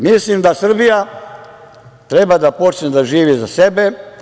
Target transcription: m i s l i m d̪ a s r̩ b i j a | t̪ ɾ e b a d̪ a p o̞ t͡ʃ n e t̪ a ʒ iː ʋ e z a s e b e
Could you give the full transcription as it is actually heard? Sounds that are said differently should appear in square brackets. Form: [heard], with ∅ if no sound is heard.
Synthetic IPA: m i s l i m d̪ a s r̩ b i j a | t̪ ɾ e b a d̪ a p o̞ t͡ʃ n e [d̪] a ʒ iː ʋ [i] z a s e b e